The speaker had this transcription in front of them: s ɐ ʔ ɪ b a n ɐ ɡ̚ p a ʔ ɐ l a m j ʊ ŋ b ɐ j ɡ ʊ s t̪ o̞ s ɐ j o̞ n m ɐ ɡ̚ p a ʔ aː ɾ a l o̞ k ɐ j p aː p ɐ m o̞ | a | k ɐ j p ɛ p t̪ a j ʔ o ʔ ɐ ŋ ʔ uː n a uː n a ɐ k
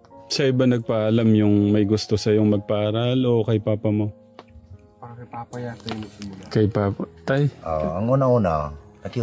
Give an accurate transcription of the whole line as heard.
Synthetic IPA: s ɐ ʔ ɪ b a n ɐ ɡ̚ p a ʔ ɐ l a m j ʊ ŋ m ɐ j ɡ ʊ s t̪ o̞ s ɐ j o̞ ŋ m ɐ ɡ̚ p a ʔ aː ɾ a l o̞ k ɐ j p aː p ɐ m o̞ | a | k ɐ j p a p t̪ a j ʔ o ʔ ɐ ŋ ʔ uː n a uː n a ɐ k